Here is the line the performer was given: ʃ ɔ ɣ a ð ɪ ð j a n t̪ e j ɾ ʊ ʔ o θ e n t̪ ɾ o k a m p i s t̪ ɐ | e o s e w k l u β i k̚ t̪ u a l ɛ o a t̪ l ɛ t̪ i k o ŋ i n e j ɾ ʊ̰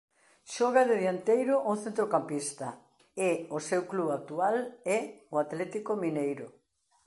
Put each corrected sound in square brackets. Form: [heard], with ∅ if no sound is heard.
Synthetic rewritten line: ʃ ɔ ɣ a ð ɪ ð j a n t̪ e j ɾ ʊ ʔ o θ e n t̪ ɾ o k a m p i s t̪ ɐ | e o s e w k l u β [a] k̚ t̪ u a l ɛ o a t̪ l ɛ t̪ i k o [m] i n e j ɾ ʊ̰

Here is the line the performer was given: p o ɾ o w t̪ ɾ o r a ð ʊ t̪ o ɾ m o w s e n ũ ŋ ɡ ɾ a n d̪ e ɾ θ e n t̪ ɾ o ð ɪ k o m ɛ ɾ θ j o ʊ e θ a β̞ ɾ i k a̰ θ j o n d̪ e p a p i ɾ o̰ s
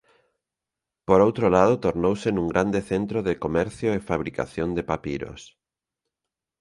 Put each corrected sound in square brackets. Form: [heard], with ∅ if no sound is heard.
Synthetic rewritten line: p o ɾ o w t̪ ɾ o [l] a ð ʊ t̪ o ɾ [n] o w s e n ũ ŋ ɡ ɾ a n d̪ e [∅] θ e n t̪ ɾ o ð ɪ k o m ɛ ɾ θ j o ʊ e [f] a β̞ ɾ i k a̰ θ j o n d̪ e p a p i ɾ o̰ s

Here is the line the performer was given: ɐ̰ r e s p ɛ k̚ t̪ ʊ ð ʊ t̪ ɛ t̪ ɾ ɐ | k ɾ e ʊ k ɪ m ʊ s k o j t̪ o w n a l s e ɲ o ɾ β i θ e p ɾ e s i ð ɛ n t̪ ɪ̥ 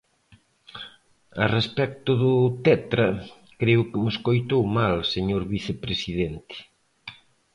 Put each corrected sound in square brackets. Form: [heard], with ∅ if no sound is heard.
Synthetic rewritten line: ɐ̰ r e s p ɛ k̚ t̪ ʊ ð ʊ t̪ ɛ t̪ ɾ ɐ | k ɾ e ʊ k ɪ m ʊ s k o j t̪ o w [m] a l s e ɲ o ɾ β i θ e p ɾ e s i ð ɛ n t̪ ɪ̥

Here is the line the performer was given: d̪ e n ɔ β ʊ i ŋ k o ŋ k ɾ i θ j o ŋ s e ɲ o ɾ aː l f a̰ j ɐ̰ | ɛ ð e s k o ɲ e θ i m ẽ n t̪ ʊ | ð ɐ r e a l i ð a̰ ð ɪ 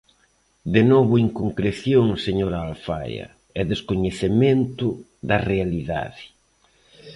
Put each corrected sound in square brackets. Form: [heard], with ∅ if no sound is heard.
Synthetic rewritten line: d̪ e n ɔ β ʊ i ŋ k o ŋ k ɾ [e] θ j o ŋ s e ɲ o ɾ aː l f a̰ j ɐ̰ | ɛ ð e s k o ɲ e θ [e] m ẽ n t̪ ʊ | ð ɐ r e a l i ð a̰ ð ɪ

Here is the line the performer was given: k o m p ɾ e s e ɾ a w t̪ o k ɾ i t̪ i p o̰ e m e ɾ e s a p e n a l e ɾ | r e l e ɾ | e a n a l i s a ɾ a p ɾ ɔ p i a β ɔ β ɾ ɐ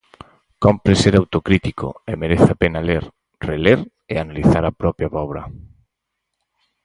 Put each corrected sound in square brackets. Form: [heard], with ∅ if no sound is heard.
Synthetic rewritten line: k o m p ɾ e s e ɾ a w t̪ o k ɾ i t̪ i [k] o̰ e m e ɾ e [θ] a p e n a l e ɾ | r e l e ɾ | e a n a l i [θ] a ɾ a p ɾ ɔ p [j] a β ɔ β ɾ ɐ

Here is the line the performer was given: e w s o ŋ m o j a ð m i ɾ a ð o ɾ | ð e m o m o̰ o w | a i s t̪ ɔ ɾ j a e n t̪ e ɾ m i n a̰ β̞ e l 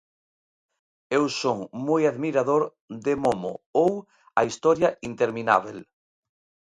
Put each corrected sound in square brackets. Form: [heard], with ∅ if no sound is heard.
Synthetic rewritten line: e w s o ŋ m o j a ð m i ɾ a ð o ɾ | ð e m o m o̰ o w | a i s t̪ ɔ ɾ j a [i] n t̪ e ɾ m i n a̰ β̞ e l

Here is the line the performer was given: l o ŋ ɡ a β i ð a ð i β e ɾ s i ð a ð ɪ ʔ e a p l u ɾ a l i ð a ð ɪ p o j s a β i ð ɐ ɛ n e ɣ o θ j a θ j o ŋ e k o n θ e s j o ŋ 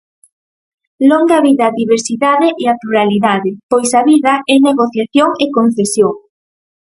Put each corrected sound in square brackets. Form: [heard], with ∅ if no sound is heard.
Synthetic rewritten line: l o ŋ ɡ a β i ð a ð i β e ɾ s i ð a ð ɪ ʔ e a p l u ɾ a l i ð a ð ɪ p o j s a β i ð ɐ ɛ n e ɣ o θ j a θ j o ŋ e k o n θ e s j o ŋ

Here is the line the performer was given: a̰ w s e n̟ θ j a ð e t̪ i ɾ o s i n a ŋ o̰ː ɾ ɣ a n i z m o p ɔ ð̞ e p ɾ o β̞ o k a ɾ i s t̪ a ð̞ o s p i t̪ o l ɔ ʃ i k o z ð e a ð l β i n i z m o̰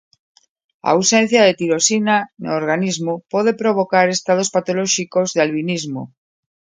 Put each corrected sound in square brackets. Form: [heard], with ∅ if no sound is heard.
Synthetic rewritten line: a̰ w s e n̟ θ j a ð e t̪ i ɾ o s i n a [n] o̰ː ɾ ɣ a n i z m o p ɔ ð̞ e p ɾ o β̞ o k a ɾ [e] s t̪ a ð̞ o s p [a] t̪ o l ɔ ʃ i k o z ð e a [∅] l β i n i z m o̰

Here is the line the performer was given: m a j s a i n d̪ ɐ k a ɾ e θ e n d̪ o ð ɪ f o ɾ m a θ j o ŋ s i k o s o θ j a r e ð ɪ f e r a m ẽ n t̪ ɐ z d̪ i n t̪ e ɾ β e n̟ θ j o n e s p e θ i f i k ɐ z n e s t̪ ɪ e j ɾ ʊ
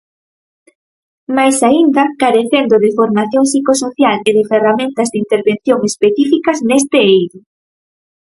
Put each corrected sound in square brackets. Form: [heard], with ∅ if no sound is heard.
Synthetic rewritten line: m a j s a i n d̪ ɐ k a ɾ e θ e n d̪ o ð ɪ f o ɾ m a θ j o ŋ s i k o s o θ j a [l] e ð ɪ f e r a m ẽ n t̪ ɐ z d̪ i n t̪ e ɾ β e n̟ θ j o [ŋ] e s p e θ i f i k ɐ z n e s t̪ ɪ e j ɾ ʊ

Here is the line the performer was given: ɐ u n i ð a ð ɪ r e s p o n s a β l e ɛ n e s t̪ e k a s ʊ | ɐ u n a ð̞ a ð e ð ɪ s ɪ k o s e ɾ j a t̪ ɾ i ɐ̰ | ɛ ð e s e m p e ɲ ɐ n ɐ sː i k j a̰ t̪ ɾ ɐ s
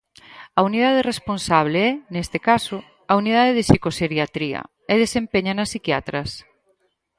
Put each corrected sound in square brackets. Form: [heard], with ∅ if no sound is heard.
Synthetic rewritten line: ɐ u n i ð a ð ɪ r e s p o n s a β l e ɛ n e s t̪ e k a s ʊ | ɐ u n [i] ð̞ a ð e ð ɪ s [i] k o s e ɾ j a t̪ ɾ i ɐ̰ | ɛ ð e s e m p e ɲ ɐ n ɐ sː i k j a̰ t̪ ɾ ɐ s

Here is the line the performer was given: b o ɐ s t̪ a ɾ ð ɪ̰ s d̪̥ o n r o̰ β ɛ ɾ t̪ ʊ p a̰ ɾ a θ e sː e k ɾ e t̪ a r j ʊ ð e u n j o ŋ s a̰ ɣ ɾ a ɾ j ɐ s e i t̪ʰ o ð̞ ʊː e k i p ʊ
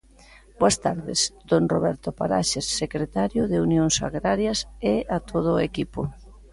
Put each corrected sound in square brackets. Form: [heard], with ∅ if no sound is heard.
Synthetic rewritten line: b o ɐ s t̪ a ɾ ð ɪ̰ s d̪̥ o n r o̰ β ɛ ɾ t̪ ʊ p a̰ ɾ a [ʃ] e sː e k ɾ e t̪ a [ɾ] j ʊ ð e u n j o ŋ s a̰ ɣ ɾ a ɾ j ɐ s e [a] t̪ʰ o ð̞ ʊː e k i p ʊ

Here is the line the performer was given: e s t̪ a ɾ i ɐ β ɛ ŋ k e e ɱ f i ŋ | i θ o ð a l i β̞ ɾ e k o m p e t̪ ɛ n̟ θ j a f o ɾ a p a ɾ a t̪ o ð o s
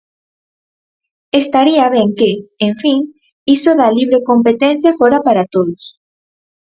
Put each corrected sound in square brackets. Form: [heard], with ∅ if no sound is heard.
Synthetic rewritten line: e s t̪ a ɾ i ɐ β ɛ ŋ k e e ɱ f i ŋ | i [s] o ð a l i β̞ ɾ e k o m p e t̪ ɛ n̟ θ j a f o ɾ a p a ɾ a t̪ o ð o s

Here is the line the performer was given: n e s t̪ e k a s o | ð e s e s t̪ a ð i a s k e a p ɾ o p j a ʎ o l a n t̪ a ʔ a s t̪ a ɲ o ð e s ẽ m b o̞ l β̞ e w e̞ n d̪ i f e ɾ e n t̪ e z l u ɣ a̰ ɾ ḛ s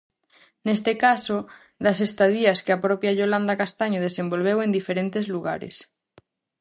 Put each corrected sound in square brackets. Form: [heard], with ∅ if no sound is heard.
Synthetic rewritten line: n e s t̪ e k a s o | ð [a] s e s t̪ a ð i a s k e a p ɾ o p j a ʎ o l a n [d̪] a [k] a s t̪ a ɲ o ð e s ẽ m b o̞ l β̞ e w e̞ n d̪ i f e ɾ e n t̪ e z l u ɣ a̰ ɾ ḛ s

